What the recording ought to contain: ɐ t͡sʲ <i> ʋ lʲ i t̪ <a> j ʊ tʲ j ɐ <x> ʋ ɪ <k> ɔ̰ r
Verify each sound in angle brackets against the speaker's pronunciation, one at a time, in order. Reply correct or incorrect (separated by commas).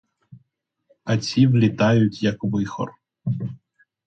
correct, incorrect, incorrect, incorrect